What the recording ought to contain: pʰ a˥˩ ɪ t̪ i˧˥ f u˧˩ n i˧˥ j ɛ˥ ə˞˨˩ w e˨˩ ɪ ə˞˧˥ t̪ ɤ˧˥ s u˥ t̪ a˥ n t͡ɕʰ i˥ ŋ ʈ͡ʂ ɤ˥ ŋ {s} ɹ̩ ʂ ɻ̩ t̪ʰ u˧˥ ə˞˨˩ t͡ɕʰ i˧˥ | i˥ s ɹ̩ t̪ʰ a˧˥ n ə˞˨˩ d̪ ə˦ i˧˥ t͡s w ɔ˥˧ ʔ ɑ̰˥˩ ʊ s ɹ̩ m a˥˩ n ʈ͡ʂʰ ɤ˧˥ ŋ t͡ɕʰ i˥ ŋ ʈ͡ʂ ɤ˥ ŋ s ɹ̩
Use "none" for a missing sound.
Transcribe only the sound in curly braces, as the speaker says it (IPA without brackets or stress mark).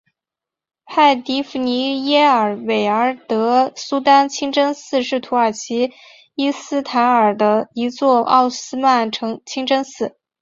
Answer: s